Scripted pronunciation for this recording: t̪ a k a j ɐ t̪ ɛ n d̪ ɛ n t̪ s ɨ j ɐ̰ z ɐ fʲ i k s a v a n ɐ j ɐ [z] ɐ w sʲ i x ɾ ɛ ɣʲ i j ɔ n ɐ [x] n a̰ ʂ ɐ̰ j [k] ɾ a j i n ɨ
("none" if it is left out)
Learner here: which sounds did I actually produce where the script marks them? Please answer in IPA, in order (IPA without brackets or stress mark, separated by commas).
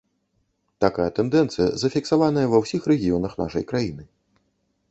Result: v, x, k